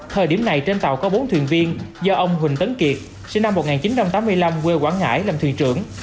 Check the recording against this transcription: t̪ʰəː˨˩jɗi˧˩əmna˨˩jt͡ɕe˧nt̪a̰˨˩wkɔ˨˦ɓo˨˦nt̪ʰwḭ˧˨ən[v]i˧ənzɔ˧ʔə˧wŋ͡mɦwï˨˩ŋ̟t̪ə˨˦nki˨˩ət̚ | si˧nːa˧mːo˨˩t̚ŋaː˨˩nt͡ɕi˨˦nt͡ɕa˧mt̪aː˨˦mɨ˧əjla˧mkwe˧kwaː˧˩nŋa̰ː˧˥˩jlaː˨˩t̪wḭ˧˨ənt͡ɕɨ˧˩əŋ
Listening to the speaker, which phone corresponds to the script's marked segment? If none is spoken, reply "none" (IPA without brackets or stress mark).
v